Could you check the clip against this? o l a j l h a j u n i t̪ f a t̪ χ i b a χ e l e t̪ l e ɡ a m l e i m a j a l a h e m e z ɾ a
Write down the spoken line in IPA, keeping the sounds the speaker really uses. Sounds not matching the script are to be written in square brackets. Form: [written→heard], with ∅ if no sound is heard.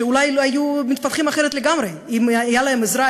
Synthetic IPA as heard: [o→u] l a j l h a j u [n→m] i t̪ f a t̪ χ i [b→m] a χ e [l→ɾ] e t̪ l e ɡ a m [l→ɾ] e i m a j a l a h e m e z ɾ a